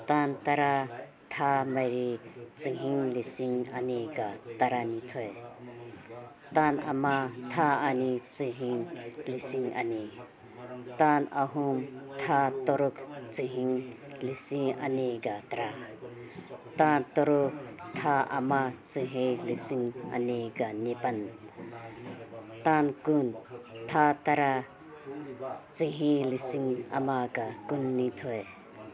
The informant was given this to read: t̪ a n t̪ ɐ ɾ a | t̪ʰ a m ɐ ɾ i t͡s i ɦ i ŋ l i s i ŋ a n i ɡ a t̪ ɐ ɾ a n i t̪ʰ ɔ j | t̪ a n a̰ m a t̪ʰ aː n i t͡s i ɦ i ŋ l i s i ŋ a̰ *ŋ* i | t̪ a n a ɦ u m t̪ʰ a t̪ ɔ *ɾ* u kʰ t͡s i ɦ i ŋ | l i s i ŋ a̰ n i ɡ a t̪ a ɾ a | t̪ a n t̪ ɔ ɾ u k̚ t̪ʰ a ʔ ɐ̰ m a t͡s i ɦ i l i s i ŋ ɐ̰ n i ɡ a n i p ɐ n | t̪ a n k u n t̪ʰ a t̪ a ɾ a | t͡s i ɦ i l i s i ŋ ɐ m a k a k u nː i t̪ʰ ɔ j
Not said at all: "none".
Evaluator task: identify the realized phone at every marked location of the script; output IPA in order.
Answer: n, ɾ

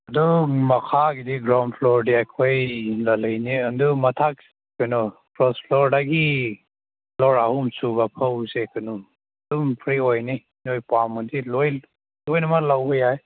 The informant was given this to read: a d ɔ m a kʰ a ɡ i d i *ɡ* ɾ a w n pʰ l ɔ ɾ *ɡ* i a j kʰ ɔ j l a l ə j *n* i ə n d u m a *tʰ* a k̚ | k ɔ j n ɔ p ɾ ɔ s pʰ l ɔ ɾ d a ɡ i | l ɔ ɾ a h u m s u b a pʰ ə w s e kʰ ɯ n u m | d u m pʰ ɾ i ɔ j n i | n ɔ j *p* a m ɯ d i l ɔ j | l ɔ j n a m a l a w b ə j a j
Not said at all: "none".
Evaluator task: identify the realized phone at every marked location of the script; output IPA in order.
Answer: ɡ, d, n, tʰ, p

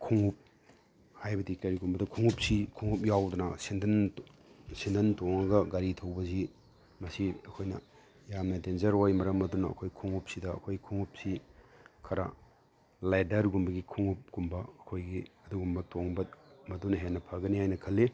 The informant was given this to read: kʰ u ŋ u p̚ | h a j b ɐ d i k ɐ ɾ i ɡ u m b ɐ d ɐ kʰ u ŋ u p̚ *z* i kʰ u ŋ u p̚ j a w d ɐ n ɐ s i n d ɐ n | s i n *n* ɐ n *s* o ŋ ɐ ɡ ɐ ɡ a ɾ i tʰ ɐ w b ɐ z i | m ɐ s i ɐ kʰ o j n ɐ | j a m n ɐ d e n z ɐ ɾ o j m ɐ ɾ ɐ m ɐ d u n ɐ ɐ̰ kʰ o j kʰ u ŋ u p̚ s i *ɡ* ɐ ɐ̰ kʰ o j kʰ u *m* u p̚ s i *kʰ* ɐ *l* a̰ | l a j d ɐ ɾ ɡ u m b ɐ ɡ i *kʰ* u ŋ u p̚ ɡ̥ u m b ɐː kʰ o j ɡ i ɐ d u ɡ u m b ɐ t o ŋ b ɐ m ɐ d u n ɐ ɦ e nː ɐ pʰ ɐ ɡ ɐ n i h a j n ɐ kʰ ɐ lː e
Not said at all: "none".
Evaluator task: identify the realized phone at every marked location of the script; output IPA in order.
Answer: s, d, t, d, ŋ, kʰ, ɾ, kʰ

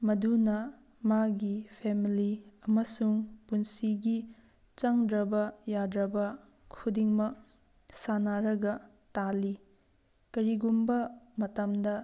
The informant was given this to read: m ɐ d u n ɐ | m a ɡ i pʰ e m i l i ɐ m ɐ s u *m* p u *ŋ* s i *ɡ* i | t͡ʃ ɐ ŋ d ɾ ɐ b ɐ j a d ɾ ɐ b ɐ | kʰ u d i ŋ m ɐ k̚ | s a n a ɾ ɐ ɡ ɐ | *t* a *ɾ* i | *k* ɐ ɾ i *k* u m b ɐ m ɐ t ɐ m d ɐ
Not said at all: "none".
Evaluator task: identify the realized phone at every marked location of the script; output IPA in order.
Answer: ŋ, n, ɡ, t, l, k, ɡ

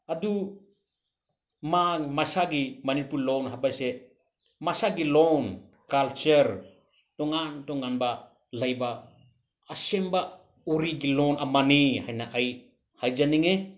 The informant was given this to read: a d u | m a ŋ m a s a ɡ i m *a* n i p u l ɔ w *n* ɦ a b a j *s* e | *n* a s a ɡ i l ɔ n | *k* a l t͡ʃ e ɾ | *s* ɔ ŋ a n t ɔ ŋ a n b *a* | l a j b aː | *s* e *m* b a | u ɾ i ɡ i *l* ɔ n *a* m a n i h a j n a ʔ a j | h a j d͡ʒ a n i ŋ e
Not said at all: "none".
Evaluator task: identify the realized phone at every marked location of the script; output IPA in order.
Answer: a, n, s, m, k, t, a, s, m, l, a

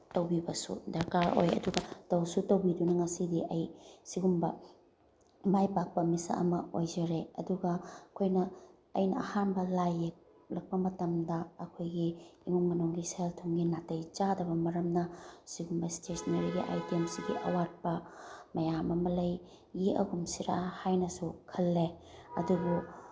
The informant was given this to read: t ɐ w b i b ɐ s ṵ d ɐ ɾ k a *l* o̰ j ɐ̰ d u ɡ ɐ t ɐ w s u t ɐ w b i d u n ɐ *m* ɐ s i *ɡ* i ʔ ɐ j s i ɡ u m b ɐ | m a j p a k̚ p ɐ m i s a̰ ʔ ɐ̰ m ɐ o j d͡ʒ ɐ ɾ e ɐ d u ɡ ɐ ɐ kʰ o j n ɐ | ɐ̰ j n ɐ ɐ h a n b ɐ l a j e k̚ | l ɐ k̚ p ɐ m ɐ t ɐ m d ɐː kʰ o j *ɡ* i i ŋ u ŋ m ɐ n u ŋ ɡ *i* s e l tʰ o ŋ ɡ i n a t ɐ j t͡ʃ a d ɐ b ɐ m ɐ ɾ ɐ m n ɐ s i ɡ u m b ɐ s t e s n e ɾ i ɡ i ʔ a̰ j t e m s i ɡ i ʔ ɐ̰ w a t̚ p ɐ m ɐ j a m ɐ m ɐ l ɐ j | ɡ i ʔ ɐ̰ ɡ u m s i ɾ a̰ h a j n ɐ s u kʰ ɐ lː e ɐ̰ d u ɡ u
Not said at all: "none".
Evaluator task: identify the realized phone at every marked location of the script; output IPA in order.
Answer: ɾ, ŋ, d, ɡ, i

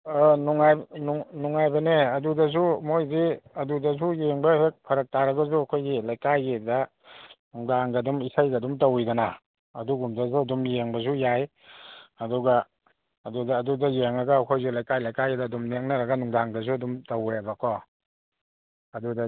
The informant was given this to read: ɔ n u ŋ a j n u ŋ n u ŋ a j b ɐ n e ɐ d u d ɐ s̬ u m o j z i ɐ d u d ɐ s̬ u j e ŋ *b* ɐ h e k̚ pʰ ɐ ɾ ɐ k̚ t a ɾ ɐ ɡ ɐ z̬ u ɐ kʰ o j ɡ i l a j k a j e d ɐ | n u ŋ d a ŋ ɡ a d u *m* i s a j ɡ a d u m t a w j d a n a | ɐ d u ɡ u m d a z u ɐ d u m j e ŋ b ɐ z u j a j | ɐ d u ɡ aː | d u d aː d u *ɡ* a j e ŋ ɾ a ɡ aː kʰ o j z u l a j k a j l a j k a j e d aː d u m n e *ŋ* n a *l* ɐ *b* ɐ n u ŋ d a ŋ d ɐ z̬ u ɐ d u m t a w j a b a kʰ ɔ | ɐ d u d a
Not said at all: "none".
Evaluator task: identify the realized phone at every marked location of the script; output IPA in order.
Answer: b, m, d, ŋ, ɾ, ɡ

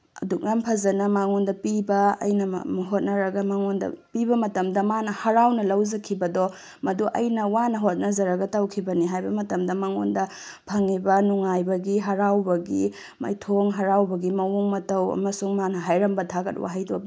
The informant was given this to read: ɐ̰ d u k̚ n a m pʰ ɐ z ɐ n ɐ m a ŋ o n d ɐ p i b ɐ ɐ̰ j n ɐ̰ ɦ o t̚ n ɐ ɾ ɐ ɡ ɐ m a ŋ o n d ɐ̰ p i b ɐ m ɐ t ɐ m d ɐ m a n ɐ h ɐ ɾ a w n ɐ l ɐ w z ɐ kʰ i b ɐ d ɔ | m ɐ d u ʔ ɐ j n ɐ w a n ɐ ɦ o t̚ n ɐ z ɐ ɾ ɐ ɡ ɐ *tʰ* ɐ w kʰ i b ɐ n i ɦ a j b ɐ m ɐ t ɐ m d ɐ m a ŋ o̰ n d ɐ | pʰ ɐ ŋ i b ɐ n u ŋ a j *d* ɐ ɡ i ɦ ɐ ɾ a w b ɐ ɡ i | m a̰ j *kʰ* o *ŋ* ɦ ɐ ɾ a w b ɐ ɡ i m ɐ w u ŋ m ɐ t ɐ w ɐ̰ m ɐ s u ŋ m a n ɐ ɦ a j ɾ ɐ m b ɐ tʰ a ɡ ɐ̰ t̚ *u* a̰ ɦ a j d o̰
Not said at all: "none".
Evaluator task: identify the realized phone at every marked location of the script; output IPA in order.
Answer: t, b, tʰ, ŋ, w

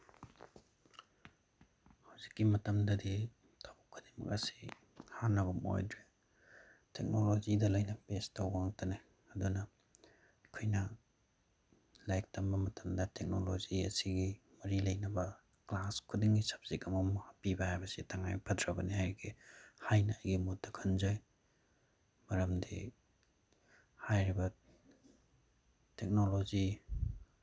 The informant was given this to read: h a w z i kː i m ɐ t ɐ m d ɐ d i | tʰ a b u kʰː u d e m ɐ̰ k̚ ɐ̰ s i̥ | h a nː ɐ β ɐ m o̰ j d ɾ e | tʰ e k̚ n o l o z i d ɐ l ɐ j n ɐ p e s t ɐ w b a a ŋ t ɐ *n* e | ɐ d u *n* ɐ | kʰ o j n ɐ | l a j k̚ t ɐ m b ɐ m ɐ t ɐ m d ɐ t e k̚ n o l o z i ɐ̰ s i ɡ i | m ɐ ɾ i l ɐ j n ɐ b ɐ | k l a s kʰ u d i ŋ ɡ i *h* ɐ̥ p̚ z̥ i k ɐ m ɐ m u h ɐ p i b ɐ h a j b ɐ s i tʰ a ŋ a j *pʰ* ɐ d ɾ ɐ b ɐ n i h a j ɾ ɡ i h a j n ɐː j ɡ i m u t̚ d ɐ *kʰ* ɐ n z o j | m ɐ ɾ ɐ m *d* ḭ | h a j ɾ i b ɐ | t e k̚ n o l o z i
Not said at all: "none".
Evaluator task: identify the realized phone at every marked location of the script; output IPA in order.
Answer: n, n, s, pʰ, kʰ, d

